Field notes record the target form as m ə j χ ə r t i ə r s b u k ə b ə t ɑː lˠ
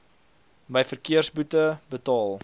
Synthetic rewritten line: m ə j f ə r k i ə r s b u t ə b ə t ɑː lˠ